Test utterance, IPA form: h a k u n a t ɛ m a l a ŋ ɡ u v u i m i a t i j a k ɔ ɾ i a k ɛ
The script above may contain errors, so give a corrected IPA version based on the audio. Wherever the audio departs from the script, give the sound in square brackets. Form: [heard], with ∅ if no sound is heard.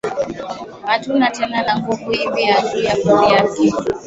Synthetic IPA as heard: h a [t] u n a t ɛ [n] a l a ŋ ɡ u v u i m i a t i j a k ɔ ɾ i a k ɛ